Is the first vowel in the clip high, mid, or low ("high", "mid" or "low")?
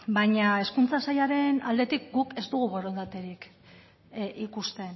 low